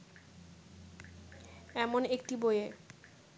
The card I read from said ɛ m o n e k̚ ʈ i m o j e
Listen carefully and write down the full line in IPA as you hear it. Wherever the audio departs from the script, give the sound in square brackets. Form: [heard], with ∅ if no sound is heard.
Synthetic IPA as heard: ɛ m o n e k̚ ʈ i [b] o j e